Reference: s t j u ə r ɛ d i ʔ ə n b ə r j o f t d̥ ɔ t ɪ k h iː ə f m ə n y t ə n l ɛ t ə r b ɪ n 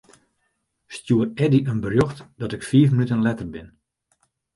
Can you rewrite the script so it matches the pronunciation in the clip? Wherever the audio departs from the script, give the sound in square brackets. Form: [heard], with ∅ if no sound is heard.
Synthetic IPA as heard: s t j u ə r ɛ d i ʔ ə n b ə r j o [x] t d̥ ɔ t ɪ k [f] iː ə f m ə n y t ə n l ɛ t ə r b ɪ n

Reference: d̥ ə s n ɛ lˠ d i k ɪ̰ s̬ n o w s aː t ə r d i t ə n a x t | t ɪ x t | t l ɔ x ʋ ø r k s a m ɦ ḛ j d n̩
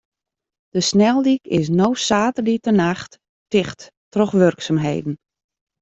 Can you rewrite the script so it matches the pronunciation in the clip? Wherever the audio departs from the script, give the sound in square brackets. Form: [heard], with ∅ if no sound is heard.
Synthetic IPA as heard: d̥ ə s n ɛ lˠ d i k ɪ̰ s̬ n o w s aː t ə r d i t ə n a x t | t ɪ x t | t [r] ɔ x ʋ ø r k s a m ɦ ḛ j d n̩

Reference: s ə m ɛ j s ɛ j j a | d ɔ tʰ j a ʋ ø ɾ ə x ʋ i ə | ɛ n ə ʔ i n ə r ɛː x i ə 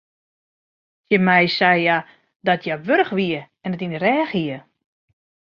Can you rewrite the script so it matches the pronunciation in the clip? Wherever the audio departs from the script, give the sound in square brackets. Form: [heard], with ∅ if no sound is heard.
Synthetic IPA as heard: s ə m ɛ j s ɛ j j a | d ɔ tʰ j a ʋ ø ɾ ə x ʋ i ə | ɛ n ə [t] i n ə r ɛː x i ə

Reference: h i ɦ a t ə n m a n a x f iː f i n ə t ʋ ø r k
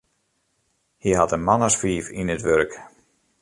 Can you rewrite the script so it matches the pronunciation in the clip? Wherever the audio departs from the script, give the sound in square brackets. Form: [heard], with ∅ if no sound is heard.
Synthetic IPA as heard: h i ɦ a t ə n m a n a [s] f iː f i n ə t ʋ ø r k

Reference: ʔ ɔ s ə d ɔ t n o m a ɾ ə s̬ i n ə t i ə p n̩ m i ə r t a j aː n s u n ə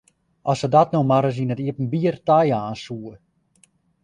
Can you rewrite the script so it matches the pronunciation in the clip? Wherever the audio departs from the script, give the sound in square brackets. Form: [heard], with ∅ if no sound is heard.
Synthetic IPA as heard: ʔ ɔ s ə d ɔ t n o m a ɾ ə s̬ i n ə t i ə p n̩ [b] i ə r t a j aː n s u [∅] ə

